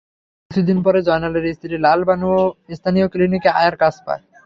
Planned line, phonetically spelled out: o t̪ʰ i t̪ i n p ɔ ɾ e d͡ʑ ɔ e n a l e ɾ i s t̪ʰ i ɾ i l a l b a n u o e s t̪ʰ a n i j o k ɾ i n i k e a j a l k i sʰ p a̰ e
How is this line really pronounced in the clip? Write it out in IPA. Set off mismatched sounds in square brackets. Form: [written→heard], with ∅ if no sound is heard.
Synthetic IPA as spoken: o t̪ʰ i [t̪→d̪] i n p ɔ ɾ e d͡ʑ ɔ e n a l e ɾ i s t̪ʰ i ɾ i l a l b a n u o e s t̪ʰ a n i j o k [ɾ→l] i n i k e a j a [l→ɾ] k [i→a] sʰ p a̰ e